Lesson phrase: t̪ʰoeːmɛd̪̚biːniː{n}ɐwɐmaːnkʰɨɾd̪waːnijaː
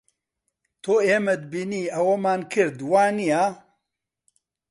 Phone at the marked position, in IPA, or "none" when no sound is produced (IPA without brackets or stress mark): none